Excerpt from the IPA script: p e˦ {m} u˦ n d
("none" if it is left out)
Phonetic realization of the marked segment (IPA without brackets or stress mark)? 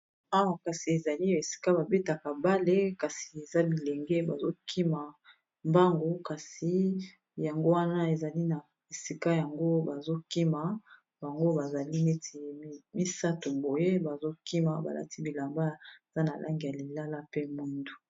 m